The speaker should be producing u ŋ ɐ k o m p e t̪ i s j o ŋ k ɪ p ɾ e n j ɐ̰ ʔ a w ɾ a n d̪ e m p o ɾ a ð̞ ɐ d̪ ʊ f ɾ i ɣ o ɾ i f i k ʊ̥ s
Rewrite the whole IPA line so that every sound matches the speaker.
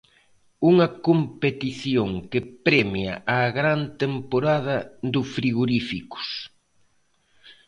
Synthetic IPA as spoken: u ŋ ɐ k o m p e t̪ i θ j o ŋ k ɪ p ɾ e m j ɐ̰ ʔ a ɣ ɾ a n t̪ e m p o ɾ a ð̞ ɐ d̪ ʊ f ɾ i ɣ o ɾ i f i k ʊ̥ s